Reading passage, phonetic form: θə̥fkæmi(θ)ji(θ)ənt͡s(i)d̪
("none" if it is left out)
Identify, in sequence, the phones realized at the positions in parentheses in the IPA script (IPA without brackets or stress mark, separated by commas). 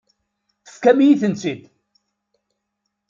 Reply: none, θ, i